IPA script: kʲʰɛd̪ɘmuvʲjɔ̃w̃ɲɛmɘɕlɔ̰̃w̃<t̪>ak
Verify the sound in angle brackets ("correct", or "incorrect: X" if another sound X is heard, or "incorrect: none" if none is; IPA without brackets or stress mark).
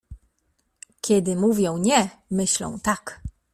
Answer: correct